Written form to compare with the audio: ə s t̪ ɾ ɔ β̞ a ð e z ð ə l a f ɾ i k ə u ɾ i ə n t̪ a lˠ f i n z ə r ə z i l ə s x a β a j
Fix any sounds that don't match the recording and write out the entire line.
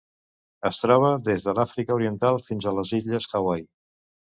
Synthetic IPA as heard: ə s t̪ ɾ ɔ β̞ ə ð e z ð ə l a f ɾ i k ə u ɾ i ə n t̪ a lˠ f i n z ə l ə z i ʎ ə s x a w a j